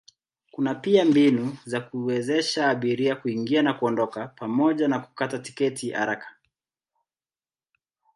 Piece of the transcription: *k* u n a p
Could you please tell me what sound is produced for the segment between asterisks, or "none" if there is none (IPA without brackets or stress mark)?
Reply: k